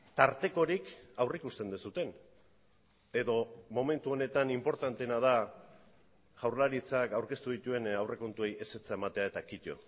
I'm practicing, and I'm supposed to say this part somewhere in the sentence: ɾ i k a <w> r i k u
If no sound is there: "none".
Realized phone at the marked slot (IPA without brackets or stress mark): w